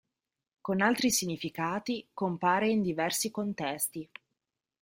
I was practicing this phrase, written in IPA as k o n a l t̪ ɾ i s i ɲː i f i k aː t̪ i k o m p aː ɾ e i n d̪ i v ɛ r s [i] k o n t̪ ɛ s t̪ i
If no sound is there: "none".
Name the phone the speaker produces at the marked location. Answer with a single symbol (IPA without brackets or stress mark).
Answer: i